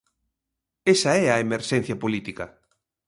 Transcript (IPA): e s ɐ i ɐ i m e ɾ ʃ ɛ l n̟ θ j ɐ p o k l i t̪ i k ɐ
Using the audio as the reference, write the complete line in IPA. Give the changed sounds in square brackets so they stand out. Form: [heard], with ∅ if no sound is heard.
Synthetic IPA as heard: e s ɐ [ɛ] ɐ [e] m e ɾ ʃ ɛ [∅] n̟ θ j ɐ p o [∅] l i t̪ i k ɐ